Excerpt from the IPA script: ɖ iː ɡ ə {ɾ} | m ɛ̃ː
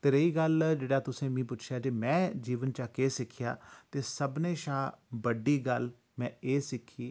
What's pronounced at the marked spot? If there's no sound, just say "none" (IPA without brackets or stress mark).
l